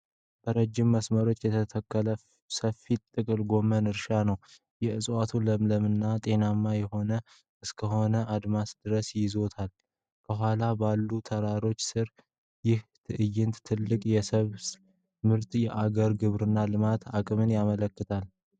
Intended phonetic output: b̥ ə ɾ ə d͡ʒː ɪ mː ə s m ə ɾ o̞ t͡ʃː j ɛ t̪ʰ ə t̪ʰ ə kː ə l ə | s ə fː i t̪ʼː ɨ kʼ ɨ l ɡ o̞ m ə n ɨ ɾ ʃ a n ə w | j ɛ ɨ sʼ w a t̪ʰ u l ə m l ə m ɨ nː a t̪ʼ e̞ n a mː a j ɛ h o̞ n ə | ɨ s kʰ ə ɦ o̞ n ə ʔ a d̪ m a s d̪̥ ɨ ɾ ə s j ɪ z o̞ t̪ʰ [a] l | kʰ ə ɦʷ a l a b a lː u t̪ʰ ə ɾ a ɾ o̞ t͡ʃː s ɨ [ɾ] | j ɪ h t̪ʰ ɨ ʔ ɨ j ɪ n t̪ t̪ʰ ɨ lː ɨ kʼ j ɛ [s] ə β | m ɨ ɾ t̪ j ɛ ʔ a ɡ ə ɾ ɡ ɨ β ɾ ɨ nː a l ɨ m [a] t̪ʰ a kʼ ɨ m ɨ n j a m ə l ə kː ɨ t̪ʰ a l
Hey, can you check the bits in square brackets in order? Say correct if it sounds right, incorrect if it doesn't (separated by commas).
correct, correct, correct, correct